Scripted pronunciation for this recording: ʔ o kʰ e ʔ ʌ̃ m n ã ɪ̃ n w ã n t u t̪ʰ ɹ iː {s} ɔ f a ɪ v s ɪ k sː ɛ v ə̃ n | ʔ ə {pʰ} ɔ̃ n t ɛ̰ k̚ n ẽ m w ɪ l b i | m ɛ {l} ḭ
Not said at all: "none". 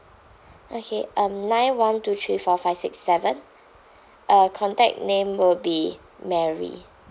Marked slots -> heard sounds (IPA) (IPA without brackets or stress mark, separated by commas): f, kʰ, ɹ